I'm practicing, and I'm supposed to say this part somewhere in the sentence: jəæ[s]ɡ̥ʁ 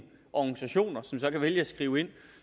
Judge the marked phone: correct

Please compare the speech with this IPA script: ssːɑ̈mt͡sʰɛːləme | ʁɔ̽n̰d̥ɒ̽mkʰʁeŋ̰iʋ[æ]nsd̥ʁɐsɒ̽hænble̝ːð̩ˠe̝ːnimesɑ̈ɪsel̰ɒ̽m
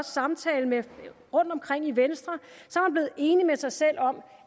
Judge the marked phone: incorrect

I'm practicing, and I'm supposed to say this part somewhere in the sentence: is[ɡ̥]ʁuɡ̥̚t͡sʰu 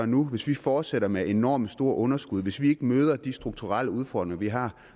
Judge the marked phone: incorrect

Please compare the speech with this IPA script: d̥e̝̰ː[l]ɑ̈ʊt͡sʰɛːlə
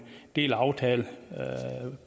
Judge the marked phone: correct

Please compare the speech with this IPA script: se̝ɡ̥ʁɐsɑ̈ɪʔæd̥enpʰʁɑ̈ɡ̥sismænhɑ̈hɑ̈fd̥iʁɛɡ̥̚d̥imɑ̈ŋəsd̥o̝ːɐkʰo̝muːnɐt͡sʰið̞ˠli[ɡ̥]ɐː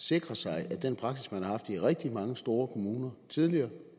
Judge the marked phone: incorrect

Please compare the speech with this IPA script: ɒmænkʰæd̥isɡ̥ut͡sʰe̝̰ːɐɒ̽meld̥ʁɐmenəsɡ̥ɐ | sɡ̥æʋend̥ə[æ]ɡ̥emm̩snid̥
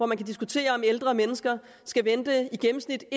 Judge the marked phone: incorrect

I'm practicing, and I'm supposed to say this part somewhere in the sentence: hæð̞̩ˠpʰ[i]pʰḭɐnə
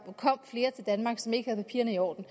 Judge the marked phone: incorrect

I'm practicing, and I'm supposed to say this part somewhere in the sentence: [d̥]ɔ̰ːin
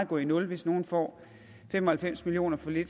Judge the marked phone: incorrect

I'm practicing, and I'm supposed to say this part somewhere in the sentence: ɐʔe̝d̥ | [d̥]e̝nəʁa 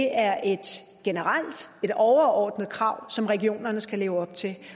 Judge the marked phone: incorrect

